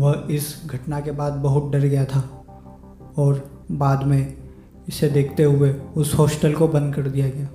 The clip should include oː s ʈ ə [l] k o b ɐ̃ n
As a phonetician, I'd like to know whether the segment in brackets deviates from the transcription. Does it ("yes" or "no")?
no